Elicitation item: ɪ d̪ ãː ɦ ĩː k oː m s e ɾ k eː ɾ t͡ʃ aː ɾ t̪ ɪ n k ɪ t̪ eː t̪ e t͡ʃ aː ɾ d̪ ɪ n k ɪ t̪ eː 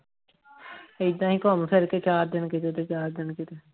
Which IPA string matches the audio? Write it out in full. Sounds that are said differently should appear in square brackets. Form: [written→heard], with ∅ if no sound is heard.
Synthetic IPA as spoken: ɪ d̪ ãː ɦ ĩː k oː m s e ɾ k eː [ɾ→∅] t͡ʃ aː ɾ [t̪→d̪] ɪ n k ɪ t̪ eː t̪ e t͡ʃ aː ɾ d̪ ɪ n k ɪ t̪ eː